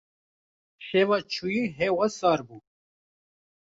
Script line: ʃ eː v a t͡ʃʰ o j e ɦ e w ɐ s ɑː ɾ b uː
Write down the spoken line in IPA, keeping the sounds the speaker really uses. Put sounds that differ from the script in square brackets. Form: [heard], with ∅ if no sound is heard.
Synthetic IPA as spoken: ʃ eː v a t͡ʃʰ [u] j [i] ɦ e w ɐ s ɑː ɾ b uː